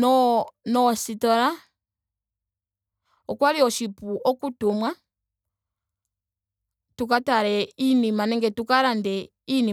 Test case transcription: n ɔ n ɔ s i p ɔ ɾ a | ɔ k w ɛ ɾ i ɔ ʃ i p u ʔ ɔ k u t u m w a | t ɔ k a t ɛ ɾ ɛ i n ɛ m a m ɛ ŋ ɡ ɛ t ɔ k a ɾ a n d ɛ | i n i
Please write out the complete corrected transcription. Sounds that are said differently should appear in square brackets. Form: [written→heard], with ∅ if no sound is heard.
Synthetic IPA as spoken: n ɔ n ɔ s i [p→t] ɔ ɾ a | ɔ k w [ɛ→a] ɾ i ɔ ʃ i p u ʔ ɔ k u t u m w a | t [ɔ→u] k a t [ɛ→a] ɾ ɛ i n [ɛ→i] m a [m→n] ɛ ŋ ɡ ɛ t [ɔ→u] k a ɾ a n d ɛ | i n i